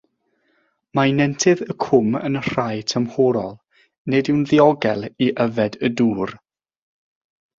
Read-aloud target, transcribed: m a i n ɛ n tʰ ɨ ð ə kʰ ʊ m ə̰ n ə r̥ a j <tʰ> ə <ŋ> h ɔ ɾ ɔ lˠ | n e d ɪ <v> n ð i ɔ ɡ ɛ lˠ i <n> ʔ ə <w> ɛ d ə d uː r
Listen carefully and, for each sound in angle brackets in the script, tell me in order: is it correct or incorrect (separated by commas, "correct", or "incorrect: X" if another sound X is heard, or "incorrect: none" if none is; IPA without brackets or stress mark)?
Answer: correct, incorrect: m, incorrect: w, incorrect: none, incorrect: v